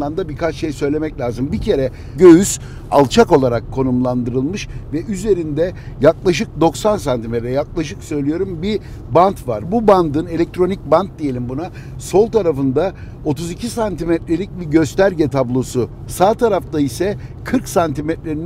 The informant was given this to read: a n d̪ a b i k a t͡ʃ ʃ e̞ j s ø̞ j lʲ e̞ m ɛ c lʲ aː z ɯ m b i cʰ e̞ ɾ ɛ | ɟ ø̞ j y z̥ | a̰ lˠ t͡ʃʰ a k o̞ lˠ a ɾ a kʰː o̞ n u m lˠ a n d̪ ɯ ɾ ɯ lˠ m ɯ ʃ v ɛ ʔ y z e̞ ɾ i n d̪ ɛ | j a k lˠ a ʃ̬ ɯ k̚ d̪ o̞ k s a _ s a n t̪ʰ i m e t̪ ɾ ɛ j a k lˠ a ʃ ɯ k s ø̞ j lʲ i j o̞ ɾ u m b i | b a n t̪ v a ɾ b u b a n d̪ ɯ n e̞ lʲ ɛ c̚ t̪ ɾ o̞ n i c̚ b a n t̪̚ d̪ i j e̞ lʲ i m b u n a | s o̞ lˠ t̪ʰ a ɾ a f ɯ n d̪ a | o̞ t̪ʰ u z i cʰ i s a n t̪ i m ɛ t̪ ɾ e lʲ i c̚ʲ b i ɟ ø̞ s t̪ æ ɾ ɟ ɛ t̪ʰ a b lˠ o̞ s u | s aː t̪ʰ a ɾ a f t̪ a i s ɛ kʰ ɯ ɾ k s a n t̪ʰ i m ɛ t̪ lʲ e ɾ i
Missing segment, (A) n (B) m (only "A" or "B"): A